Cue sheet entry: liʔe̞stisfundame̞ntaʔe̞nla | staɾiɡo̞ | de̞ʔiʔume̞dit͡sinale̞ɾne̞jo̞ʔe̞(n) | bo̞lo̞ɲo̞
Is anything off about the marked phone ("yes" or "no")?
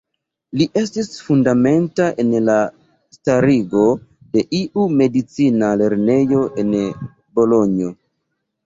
no